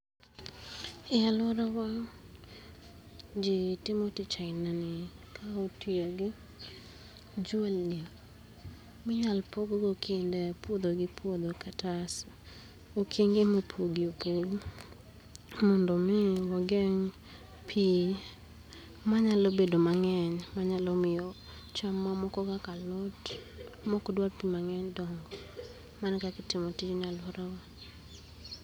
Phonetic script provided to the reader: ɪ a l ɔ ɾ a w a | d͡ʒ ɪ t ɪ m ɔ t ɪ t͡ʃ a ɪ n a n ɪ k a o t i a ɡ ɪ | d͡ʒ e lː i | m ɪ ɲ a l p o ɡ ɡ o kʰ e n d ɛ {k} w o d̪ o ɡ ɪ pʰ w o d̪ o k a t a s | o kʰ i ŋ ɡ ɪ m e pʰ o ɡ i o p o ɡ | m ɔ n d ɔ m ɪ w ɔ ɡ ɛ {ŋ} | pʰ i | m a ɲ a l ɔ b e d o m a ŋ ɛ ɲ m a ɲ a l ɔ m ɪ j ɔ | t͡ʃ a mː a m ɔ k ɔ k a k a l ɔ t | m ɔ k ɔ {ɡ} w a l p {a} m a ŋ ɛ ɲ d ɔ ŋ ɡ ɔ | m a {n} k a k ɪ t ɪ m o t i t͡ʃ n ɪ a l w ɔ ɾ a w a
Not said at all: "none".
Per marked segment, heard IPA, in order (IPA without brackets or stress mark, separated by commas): p, ŋ, d, i, n